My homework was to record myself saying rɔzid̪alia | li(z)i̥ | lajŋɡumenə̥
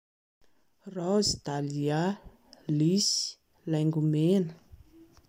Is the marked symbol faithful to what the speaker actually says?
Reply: no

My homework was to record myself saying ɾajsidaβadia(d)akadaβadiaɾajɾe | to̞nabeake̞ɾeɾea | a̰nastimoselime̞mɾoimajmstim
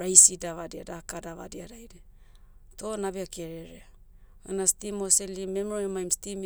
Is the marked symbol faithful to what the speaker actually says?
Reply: yes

